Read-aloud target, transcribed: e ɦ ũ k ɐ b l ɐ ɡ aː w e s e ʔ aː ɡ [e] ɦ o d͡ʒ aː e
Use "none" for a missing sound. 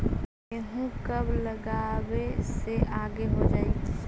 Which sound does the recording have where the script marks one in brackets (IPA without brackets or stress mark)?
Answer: e